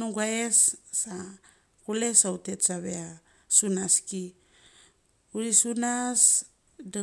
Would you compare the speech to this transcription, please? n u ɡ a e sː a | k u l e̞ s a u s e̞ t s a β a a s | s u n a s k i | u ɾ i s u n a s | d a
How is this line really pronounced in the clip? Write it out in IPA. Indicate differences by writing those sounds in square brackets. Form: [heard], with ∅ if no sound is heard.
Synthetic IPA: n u ɡ a e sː a | k u l e̞ s a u [t] e̞ t s a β [e] a [∅] | s u n a s k i | u ɾ i s u n a s | d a